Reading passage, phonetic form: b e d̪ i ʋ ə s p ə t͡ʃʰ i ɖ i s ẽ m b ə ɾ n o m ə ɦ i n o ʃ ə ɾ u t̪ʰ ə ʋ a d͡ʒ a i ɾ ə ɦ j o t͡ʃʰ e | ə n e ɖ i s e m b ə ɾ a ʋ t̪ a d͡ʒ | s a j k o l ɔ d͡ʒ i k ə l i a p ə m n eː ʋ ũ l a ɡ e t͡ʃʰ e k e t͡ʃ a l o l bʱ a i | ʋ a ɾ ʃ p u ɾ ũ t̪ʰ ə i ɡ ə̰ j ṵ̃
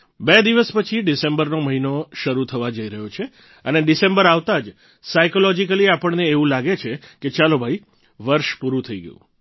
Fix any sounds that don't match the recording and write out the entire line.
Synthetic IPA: b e d̪ i ʋ ə s p ə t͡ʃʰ i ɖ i s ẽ m b ə ɾ n o m ə ɦ i n o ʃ ə ɾ u t̪ʰ ə ʋ a d͡ʒ ə i ɾ ə ɦ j o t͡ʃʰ e | ə n e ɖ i s e m b ə ɾ a ʋ t̪ a d͡ʒ | s a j k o l ɔ d͡ʒ i k ə l i a p ə ɳ n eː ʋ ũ l a ɡ e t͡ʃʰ e k e t͡ʃ a l o bʱ a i | ʋ ə ɾ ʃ p u ɾ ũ t̪ʰ ə i ɡ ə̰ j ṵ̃